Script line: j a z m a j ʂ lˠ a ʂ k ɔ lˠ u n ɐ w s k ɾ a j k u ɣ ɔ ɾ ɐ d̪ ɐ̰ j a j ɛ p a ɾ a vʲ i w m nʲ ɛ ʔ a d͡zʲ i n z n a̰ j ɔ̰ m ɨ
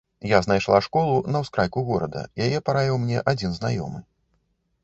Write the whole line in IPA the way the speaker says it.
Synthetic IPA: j a z n a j ʂ lˠ a ʂ k ɔ lˠ u n ɐ w s k ɾ a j k u ɣ ɔ ɾ ɐ d̪ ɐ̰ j a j ɛ p a ɾ a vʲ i w m nʲ ɛ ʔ a d͡zʲ i n z n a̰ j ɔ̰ m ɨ